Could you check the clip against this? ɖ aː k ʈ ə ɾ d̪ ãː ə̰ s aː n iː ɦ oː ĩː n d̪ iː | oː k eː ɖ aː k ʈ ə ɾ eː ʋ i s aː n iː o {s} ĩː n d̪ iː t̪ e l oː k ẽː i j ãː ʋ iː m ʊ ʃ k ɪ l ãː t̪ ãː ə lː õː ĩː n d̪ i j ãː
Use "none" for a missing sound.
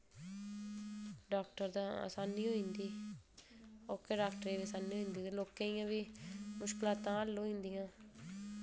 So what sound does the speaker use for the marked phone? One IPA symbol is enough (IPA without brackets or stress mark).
none